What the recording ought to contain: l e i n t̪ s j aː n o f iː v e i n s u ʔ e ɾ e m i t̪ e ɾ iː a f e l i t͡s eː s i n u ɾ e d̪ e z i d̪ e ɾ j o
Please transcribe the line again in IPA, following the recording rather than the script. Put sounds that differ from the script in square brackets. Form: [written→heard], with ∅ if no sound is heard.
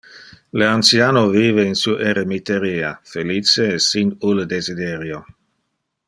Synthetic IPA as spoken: l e [i→a] n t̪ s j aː n o [f→v] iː v e i n s u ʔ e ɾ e m i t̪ e ɾ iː a f e l i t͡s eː s i n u [ɾ→l] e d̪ e z i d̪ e ɾ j o